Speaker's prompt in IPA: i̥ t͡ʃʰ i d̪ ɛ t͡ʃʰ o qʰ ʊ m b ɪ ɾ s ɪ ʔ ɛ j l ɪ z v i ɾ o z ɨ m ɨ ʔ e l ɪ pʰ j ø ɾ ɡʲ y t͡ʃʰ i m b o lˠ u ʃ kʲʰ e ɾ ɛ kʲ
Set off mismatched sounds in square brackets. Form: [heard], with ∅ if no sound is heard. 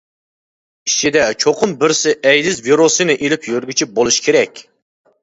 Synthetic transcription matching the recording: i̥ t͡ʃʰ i d̪ ɛ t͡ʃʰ o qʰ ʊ m b ɪ ɾ s ɪ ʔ ɛ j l ɪ z v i ɾ o [s] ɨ [n] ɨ ʔ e l ɪ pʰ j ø ɾ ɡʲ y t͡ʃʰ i [∅] b o lˠ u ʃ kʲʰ e ɾ ɛ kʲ